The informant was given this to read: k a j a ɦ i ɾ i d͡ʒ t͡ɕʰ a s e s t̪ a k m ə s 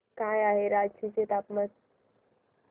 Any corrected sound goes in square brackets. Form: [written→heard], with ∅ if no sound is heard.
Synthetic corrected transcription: k a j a ɦ [i→e] ɾ [i→a] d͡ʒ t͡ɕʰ [a→i] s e [s→∅] t̪ a [k→p] m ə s